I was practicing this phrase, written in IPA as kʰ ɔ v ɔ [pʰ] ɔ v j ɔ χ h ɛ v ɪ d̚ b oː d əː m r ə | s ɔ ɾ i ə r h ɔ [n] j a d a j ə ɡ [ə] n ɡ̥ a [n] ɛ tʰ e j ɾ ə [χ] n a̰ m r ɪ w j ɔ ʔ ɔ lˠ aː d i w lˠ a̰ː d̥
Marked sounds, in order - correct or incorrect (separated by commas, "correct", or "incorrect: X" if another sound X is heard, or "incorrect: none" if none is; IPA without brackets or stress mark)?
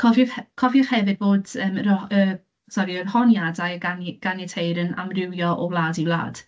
incorrect: kʰ, correct, incorrect: a, correct, incorrect: none